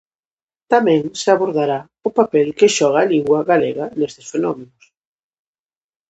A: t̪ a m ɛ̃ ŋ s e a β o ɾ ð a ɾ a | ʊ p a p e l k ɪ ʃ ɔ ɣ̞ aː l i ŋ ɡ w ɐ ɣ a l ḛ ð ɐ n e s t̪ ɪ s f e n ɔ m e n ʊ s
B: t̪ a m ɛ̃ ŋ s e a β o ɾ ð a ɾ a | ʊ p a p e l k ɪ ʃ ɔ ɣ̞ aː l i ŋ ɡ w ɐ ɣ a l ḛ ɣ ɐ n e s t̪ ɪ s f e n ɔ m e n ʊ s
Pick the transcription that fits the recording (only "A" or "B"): B